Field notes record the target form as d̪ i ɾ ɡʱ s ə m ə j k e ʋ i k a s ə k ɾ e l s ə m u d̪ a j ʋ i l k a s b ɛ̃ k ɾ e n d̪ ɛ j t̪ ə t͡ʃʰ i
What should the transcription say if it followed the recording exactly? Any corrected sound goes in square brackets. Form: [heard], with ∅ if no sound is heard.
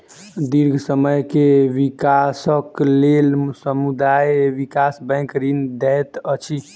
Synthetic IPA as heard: d̪ i ɾ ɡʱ s ə m ə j k e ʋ i k a s ə k [l] e l s ə m u d̪ a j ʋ i [∅] k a s b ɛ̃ k ɾ [i] n d̪ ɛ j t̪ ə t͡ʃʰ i